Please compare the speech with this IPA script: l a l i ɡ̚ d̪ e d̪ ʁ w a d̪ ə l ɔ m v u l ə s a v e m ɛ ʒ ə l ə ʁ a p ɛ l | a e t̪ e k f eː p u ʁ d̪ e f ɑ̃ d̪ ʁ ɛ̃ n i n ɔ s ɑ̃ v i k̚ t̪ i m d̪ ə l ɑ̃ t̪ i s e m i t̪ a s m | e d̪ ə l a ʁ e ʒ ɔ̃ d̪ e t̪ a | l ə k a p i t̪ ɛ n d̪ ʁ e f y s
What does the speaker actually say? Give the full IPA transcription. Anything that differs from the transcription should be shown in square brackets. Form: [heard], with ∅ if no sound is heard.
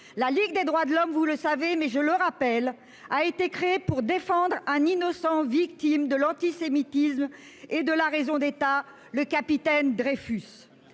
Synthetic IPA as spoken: l a l i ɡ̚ d̪ e d̪ ʁ w a d̪ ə l ɔ m v u l ə s a v e m ɛ ʒ ə l ə ʁ a p ɛ l | a e t̪ e k [χ] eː p u ʁ d̪ e f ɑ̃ d̪ ʁ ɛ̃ n i n ɔ s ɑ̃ v i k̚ t̪ i m d̪ ə l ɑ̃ t̪ i s e m i t̪ [i] s m | e d̪ ə l a ʁ e [z] ɔ̃ d̪ e t̪ a | l ə k a p i t̪ ɛ n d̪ ʁ e f y s

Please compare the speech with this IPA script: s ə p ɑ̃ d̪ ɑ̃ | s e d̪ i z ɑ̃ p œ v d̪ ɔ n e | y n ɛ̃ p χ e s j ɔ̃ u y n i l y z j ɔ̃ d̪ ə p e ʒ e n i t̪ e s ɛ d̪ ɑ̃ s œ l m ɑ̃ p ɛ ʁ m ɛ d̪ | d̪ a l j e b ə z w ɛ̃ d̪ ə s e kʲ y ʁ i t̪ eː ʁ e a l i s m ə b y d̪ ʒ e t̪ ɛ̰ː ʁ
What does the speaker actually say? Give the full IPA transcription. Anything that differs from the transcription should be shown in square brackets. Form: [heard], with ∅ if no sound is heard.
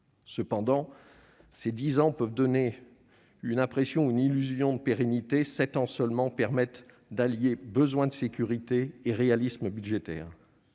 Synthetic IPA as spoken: s ə p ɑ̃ d̪ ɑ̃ | s e d̪ i z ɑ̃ p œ v d̪ ɔ n e | y n ɛ̃ p χ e s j ɔ̃ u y n i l y z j ɔ̃ d̪ ə p e [ʁ] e n i t̪ e s ɛ [t̪] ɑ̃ s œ l m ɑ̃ p ɛ ʁ m ɛ [t̪] | d̪ a l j e b ə z w ɛ̃ d̪ ə s e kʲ y ʁ i t̪ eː ʁ e a l i s m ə b y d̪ ʒ e t̪ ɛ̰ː ʁ

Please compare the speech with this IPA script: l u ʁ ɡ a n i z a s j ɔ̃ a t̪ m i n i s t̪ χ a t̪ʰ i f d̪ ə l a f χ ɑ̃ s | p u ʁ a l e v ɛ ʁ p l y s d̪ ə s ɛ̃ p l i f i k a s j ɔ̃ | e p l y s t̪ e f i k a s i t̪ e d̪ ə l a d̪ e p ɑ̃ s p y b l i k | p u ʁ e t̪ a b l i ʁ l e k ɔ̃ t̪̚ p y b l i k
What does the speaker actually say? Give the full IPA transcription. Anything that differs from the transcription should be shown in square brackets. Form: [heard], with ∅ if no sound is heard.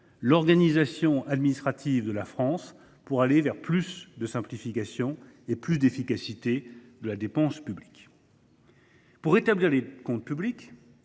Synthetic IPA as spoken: l [ɔ] ʁ ɡ a n i z a s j ɔ̃ a [d̪] m i n i s t̪ χ a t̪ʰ i [v] d̪ ə l a f χ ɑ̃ s | p u ʁ a l e v ɛ ʁ p l y s d̪ ə s ɛ̃ p l i f i k a s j ɔ̃ | e p l y s [d̪] e f i k a s i t̪ e d̪ ə l a d̪ e p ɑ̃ s p y b l i k | p u ʁ e t̪ a b l i ʁ l e k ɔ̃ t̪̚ p y b l i k

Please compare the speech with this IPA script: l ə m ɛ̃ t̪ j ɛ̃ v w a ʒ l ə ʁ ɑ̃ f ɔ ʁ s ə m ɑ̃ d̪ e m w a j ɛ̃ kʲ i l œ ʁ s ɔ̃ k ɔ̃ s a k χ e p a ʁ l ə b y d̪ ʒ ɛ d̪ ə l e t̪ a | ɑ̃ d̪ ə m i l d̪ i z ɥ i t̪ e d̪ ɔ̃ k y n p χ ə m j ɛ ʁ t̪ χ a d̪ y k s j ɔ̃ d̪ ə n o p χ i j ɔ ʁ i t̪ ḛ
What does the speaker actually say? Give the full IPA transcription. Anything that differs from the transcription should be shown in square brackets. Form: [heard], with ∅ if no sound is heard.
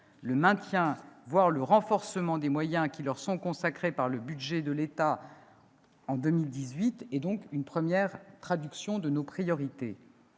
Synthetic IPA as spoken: l ə m ɛ̃ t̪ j ɛ̃ v w a [ʁ] l ə ʁ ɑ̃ f ɔ ʁ s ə m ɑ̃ d̪ e m w a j ɛ̃ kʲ i l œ ʁ s ɔ̃ k ɔ̃ s a k χ e p a ʁ l ə b y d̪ ʒ ɛ d̪ ə l e t̪ a | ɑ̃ d̪ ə m i l d̪ i z ɥ i t̪ [ɛ] d̪ ɔ̃ k y n p χ ə m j ɛ ʁ t̪ χ a d̪ y k s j ɔ̃ d̪ ə n o p χ i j ɔ ʁ i t̪ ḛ

